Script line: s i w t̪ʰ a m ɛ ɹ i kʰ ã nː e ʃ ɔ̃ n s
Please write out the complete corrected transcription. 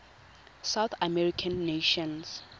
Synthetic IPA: s a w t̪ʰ a m ɛ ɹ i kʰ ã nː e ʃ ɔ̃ n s